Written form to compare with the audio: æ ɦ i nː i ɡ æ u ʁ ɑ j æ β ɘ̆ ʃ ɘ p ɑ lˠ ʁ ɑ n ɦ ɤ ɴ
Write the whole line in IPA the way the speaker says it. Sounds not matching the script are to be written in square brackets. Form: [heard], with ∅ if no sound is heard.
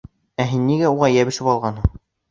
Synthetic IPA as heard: æ ɦ i nː i ɡ æ u ʁ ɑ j æ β ɘ̆ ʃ ɘ p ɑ lˠ ʁ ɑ n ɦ ɤ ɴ